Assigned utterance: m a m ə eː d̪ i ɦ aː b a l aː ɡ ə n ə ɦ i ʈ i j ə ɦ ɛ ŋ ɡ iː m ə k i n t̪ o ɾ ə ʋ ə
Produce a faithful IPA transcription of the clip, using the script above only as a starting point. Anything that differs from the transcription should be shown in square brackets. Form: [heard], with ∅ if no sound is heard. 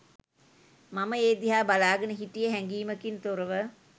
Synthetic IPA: m a m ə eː d̪ i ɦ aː b a l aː ɡ ə n ə ɦ i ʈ i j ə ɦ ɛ ŋ ɡ iː m ə k i n t̪ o ɾ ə ʋ ə

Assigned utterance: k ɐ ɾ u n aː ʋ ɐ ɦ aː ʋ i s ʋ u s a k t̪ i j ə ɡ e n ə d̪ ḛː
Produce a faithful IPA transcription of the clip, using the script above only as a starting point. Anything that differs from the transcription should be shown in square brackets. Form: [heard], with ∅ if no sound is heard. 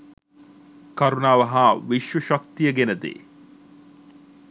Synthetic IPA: k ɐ ɾ u n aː ʋ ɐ ɦ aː ʋ i [ʃ] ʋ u [ʃ] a k t̪ i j ə ɡ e n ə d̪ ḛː

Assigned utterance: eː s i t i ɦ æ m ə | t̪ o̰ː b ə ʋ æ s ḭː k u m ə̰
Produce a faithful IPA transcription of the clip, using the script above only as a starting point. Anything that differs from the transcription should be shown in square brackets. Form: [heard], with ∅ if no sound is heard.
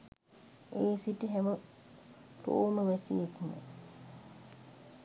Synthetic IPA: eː s i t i ɦ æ m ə | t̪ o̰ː [m] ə ʋ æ s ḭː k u m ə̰

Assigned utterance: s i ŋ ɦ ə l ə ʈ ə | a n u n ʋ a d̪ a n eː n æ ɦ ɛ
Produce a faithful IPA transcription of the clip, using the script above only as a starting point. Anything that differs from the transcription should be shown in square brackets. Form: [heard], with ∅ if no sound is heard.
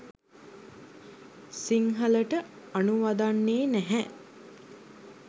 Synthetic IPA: s i ŋ ɦ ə l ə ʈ ə | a n u [∅] ʋ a d̪ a [nː] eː n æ ɦ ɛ

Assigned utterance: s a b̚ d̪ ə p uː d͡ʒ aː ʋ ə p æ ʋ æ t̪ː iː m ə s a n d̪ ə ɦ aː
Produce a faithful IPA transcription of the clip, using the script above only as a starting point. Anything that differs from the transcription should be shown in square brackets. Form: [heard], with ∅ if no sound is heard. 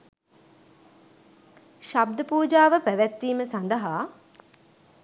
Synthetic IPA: [ʃ] a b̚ d̪ ə p uː d͡ʒ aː ʋ ə p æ ʋ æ t̪ː iː m ə s a n d̪ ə ɦ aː

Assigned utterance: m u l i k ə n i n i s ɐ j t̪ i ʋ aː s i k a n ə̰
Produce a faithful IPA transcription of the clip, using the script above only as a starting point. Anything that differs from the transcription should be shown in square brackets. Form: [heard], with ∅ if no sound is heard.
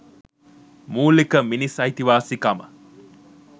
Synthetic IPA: m [uː] l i k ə [m] i n i s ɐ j t̪ i ʋ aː s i k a [m] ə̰

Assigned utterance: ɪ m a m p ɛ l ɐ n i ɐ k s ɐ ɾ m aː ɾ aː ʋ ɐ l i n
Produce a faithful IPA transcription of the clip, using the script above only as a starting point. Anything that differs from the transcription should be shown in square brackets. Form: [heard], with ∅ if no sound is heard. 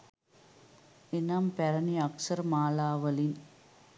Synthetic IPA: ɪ [n] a m p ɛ [ɾ] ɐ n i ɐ k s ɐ ɾ m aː [l] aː ʋ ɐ l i n

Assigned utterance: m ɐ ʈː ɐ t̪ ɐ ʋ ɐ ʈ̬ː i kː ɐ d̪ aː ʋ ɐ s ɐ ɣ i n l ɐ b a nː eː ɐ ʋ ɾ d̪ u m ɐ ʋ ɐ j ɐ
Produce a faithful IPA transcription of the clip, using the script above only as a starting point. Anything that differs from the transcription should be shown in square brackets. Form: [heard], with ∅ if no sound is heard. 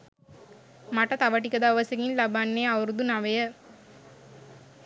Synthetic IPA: m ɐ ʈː ɐ t̪ ɐ ʋ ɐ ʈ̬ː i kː ɐ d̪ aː ʋ ɐ s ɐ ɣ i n l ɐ b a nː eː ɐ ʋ ɾ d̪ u [n] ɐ ʋ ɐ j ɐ

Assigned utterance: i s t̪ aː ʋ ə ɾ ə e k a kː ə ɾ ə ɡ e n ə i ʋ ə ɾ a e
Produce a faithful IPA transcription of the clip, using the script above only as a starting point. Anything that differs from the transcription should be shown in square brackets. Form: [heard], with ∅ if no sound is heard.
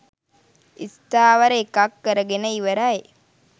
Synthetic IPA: i s t̪ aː ʋ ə ɾ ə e k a kː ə ɾ ə ɡ e n ə i ʋ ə ɾ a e

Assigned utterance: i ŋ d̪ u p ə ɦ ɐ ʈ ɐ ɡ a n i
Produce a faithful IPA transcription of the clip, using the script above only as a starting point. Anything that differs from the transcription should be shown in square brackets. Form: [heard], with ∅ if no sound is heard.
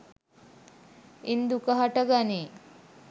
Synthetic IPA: i [n] d̪ u [k] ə ɦ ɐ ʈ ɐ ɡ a n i

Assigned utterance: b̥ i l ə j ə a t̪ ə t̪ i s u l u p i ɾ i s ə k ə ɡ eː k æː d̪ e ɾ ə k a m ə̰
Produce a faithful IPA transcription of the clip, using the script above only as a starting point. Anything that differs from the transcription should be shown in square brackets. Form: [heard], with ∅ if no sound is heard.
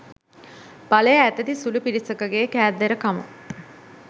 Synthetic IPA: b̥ [a] l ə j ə [æ] t̪ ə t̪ i s u l u p i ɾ i s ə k ə ɡ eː k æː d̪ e ɾ ə k a m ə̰

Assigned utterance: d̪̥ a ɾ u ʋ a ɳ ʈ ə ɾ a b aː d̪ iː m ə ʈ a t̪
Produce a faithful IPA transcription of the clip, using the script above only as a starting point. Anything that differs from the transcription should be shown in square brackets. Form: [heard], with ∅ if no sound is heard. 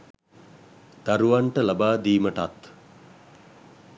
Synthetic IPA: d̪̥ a ɾ u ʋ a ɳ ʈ ə [l] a b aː d̪ iː m ə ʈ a t̪

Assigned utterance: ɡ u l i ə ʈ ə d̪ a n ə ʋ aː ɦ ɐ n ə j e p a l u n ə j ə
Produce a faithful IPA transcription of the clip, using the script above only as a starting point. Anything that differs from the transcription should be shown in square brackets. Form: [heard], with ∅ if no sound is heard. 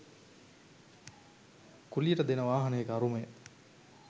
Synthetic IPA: [k] u l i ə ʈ ə d̪ [e] n ə ʋ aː ɦ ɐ n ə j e [k] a [ɾ] u [m] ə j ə

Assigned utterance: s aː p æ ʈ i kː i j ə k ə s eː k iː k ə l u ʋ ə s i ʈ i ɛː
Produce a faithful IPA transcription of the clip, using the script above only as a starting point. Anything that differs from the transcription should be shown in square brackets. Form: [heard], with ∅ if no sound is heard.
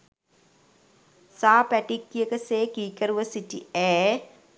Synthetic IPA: s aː p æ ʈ i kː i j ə k ə s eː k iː k ə [ɾ] u ʋ ə s i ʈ i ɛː

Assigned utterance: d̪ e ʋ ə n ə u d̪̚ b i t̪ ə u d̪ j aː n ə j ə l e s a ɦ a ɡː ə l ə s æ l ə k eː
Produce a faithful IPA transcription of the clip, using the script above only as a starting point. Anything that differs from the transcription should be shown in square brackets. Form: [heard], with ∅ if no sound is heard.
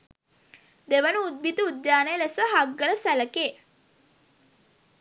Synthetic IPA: d̪ e ʋ ə n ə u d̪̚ b i t̪ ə u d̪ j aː n ə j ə l e s [ə] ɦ a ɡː ə l ə s æ l ə k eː

